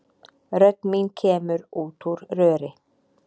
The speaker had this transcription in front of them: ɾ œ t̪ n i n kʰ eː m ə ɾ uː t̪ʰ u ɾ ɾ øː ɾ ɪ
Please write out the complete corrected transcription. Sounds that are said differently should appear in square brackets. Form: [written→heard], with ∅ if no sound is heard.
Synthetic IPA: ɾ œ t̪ [n→m] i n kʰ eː m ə ɾ uː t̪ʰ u ɾ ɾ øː ɾ ɪ